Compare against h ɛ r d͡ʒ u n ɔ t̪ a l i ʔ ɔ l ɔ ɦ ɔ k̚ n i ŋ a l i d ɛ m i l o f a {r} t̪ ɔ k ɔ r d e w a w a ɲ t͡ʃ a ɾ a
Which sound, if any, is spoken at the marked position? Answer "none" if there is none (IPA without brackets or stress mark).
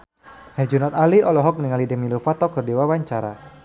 none